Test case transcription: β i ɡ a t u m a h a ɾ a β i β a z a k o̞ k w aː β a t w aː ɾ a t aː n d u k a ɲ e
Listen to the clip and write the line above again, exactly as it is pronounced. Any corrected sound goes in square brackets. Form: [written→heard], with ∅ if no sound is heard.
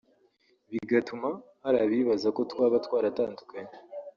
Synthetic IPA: β i ɡ a t u m a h a ɾ a β i β a z a k o̞ [k→t] w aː β a t w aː ɾ a t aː n d u k a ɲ e